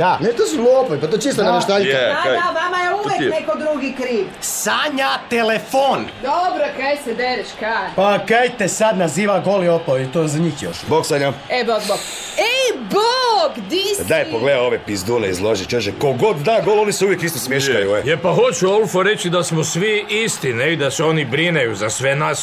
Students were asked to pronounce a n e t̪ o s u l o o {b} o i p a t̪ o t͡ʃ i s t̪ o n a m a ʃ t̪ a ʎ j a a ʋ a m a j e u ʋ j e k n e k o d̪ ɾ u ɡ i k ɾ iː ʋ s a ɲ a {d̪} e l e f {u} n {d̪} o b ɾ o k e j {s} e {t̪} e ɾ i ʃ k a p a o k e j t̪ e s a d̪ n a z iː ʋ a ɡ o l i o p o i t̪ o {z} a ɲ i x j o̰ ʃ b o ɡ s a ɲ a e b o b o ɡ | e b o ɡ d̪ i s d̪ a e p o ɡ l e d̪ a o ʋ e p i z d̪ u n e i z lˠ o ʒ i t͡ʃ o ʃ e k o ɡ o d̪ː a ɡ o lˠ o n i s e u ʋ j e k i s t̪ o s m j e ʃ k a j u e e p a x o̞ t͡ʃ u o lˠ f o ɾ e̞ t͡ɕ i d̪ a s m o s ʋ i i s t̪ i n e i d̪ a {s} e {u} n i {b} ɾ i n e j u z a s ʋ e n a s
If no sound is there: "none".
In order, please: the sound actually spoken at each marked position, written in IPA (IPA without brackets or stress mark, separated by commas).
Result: p, t̪, o, d̪, s, d̪, z, s, o, b